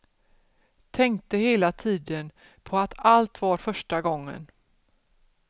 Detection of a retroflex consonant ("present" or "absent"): present